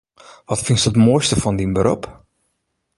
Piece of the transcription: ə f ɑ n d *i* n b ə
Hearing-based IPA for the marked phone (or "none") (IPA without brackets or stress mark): i